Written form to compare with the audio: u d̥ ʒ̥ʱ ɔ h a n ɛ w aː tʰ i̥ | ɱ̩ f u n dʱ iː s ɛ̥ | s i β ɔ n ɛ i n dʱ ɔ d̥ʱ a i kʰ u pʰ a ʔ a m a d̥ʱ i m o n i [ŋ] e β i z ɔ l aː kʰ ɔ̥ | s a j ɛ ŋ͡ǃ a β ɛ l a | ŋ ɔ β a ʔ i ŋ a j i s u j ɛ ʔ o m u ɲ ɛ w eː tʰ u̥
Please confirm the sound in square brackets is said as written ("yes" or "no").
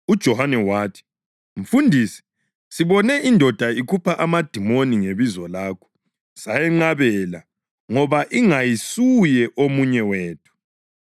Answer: yes